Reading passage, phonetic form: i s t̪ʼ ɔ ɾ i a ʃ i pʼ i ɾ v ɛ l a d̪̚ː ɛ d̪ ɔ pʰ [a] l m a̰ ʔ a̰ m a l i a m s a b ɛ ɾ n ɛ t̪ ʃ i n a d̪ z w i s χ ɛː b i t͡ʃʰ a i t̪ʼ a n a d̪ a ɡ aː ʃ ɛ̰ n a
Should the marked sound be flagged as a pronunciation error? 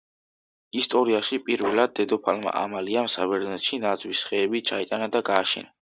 no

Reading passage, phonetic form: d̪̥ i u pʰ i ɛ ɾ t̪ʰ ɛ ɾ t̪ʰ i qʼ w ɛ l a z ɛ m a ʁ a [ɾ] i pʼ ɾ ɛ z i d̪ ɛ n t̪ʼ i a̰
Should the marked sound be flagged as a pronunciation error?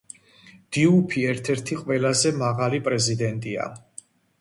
yes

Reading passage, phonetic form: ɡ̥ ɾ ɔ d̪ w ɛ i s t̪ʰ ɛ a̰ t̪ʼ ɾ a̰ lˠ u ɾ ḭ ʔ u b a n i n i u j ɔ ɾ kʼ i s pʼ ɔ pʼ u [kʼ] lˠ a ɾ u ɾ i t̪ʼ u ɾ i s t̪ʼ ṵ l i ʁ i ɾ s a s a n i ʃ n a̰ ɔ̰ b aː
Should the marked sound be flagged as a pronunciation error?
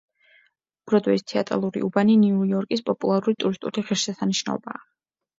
yes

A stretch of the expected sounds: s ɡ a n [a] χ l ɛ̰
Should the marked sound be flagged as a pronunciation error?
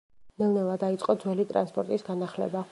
no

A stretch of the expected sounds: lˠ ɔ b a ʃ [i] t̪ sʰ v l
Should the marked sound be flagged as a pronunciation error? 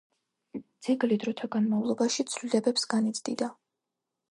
no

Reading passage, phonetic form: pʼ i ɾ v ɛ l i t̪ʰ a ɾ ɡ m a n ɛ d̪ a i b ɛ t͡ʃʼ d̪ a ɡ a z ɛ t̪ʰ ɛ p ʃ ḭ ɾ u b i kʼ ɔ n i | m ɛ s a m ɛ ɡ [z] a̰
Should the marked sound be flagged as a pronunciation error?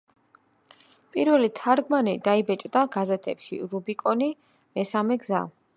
no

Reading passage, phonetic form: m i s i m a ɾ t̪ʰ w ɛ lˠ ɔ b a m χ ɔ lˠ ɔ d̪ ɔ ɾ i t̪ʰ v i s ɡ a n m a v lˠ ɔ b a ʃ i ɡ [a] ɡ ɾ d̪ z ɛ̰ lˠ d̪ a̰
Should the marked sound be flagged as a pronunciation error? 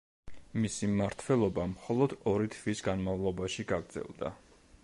no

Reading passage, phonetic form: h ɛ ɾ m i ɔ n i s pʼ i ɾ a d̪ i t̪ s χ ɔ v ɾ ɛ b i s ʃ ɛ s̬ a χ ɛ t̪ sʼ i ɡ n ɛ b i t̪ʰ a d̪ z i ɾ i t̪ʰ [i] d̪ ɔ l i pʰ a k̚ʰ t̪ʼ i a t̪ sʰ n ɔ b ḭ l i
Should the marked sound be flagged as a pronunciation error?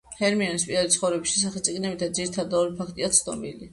yes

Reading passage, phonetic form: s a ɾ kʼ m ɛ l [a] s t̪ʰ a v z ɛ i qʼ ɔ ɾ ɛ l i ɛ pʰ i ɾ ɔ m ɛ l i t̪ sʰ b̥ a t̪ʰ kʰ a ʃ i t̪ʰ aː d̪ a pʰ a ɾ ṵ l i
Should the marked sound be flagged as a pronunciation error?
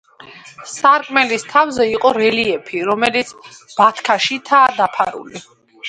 yes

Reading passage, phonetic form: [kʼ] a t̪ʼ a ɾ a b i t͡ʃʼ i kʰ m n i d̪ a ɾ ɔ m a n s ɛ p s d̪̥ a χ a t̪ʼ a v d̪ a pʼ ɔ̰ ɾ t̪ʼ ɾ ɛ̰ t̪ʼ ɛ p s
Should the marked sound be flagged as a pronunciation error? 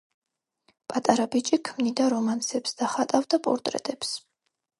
yes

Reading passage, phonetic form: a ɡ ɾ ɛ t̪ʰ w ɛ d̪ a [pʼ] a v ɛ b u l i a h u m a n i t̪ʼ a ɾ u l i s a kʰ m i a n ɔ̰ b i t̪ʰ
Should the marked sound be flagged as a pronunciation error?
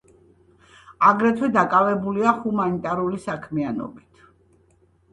yes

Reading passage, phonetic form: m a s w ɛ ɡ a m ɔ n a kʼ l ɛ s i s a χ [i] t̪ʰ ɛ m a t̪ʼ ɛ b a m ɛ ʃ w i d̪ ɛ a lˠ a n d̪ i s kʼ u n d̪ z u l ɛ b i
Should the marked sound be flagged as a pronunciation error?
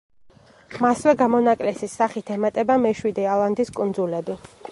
no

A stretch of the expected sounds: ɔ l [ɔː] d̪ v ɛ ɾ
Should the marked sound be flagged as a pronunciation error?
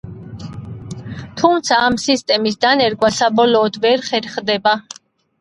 no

